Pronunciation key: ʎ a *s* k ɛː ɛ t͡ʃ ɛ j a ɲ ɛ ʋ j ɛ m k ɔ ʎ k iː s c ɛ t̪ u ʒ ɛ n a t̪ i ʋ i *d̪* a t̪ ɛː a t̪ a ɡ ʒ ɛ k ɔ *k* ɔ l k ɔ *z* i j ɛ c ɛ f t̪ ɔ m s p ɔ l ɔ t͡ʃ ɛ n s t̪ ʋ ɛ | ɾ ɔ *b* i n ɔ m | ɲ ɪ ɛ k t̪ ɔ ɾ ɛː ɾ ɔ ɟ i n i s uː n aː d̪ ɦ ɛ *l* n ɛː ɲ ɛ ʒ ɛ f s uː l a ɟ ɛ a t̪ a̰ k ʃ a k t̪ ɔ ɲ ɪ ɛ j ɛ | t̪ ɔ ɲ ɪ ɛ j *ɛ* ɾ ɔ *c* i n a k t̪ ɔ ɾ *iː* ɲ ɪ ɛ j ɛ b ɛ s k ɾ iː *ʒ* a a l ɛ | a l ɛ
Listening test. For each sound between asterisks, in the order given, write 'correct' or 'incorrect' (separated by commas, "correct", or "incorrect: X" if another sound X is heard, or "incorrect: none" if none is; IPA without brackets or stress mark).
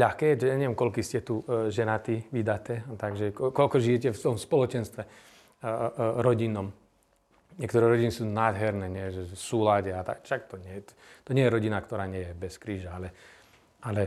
incorrect: x, correct, correct, incorrect: ʒ, incorrect: ɟ, incorrect: ɾ, correct, incorrect: ɟ, incorrect: aː, correct